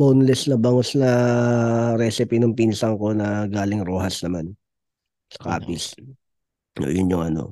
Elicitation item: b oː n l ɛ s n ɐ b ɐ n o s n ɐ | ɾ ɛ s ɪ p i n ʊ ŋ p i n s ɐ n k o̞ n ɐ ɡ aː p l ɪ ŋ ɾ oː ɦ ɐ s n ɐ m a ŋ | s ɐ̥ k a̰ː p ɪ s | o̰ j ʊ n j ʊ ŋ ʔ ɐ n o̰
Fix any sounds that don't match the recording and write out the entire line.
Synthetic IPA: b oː n l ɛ s n ɐ b ɐ ŋ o s n ɐ | ɾ ɛ s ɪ p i n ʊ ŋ p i n s ɐ ŋ k o̞ n ɐ ɡ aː l ɪ ŋ ɾ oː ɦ ɐ s n ɐ m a n | s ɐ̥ k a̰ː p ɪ s | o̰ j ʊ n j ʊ ŋ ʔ ɐ n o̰